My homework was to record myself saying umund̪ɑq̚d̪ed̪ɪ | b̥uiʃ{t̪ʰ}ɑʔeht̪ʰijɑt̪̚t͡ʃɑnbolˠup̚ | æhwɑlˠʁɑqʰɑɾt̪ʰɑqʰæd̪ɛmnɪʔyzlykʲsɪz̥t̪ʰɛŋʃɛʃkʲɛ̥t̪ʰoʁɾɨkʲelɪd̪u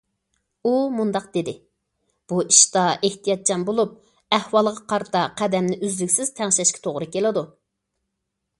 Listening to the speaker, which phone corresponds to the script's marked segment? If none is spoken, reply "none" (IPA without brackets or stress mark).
t̪